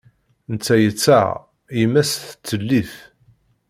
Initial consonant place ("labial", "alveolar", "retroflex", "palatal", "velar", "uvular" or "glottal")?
alveolar